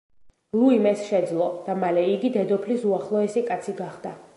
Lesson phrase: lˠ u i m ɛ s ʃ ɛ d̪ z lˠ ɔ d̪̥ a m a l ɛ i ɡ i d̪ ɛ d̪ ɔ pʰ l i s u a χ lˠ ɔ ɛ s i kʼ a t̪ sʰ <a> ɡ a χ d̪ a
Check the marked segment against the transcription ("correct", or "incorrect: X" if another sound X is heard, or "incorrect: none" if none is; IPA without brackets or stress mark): incorrect: i